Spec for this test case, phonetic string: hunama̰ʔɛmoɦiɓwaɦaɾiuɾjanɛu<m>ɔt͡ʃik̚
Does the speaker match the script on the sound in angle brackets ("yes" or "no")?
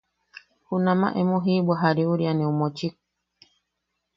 yes